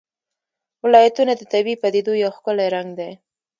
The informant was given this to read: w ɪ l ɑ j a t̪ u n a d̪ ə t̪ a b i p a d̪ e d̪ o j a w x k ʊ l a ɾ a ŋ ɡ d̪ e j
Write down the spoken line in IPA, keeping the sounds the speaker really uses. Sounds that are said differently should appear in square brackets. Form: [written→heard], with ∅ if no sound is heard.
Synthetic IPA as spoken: w ɪ l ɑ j a t̪ u n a d̪ ə t̪ a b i p a d̪ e d̪ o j a w x k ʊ l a ɾ a ŋ ɡ d̪ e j